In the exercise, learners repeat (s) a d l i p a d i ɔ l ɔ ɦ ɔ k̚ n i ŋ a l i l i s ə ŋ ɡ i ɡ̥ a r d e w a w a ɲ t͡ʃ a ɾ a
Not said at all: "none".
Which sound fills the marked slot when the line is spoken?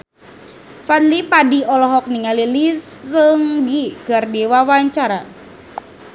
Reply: f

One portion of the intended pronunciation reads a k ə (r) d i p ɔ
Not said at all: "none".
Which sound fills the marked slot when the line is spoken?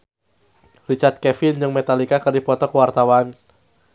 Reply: r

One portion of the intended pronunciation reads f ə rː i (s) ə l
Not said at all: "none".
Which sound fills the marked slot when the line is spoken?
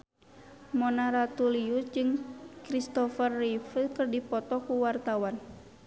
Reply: f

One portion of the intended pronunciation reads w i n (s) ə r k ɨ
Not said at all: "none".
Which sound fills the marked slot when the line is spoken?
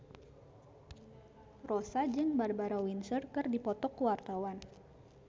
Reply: s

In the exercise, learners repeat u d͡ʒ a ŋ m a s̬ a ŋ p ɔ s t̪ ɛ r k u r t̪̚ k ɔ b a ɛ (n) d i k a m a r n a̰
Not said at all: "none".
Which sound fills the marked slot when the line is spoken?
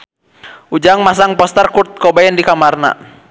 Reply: n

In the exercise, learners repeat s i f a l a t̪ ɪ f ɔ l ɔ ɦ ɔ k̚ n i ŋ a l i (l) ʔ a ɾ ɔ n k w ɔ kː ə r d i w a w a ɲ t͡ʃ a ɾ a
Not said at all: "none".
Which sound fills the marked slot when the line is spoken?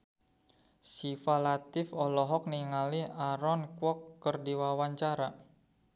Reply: none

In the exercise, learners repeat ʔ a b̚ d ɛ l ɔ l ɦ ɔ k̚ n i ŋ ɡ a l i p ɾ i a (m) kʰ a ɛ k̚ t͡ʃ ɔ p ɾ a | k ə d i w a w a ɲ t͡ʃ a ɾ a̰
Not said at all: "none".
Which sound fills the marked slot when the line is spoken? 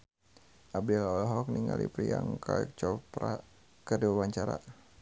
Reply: ŋ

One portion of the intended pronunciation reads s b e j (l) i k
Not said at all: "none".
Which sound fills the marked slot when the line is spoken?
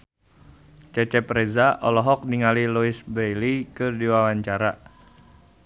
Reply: l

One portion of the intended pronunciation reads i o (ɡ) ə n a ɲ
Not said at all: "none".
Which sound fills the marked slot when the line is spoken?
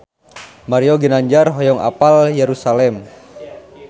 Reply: ɡ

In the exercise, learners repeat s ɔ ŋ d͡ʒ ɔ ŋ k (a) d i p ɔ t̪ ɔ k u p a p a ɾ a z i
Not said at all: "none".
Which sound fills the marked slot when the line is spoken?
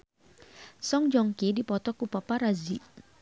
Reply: i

